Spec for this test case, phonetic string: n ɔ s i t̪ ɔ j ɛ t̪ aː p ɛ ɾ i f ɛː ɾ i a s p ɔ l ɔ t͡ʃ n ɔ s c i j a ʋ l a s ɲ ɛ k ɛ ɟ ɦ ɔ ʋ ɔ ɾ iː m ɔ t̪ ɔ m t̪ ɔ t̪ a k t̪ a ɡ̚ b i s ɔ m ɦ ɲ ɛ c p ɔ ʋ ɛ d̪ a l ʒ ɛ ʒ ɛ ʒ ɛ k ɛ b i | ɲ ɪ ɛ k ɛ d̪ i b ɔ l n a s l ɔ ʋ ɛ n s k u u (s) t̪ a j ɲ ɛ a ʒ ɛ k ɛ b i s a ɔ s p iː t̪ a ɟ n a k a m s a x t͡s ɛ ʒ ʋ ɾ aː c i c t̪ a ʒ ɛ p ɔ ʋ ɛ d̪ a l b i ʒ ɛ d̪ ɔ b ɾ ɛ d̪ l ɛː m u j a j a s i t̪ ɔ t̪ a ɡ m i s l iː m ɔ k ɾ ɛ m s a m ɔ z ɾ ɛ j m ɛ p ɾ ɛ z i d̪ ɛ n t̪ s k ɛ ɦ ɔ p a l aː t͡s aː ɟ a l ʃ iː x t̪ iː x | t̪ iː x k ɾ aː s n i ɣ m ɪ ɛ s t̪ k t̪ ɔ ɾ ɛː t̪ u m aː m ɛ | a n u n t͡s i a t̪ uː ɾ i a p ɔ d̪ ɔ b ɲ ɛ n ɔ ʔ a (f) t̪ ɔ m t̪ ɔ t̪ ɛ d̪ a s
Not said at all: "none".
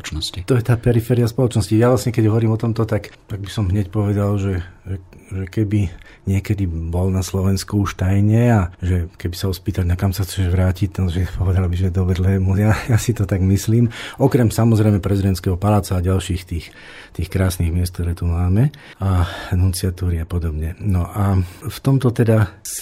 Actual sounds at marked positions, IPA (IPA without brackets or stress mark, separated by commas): ʃ, f